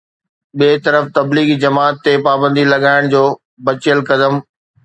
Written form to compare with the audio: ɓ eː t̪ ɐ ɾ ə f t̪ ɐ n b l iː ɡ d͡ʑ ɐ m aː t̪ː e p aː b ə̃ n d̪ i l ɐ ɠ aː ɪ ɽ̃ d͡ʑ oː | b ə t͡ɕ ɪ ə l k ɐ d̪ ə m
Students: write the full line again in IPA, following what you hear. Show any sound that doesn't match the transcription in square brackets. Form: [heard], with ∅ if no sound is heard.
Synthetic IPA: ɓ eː t̪ ɐ ɾ ə f t̪ ɐ [∅] b l iː ɡ d͡ʑ ɐ m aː t̪ː e p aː b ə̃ n d̪ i l ɐ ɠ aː ɪ ɽ̃ d͡ʑ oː | b [ɐ] t͡ɕ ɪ ə l k ɐ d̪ ə m